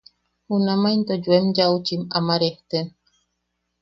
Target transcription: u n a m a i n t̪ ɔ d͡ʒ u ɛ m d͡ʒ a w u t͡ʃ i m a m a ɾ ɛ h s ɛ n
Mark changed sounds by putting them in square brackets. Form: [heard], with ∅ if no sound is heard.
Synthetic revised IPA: u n a m a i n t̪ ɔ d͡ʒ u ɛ m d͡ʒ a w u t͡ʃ i m a m a ɾ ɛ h [t] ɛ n